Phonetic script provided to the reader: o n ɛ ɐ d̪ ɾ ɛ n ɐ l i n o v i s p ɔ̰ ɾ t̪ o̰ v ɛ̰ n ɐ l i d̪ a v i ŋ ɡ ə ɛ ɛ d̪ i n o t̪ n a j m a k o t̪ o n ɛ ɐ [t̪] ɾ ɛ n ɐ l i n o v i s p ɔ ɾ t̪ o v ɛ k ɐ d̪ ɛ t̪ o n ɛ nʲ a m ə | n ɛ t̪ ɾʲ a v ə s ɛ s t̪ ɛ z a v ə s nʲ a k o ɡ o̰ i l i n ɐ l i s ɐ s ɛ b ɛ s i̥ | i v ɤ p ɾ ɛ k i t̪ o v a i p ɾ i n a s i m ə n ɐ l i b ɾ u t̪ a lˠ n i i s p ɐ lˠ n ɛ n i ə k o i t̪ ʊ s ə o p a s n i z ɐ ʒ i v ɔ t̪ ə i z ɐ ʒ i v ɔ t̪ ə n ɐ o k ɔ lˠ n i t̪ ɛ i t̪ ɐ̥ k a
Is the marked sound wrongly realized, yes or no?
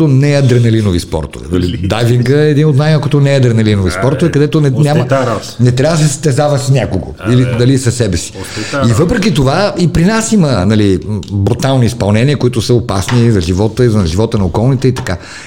yes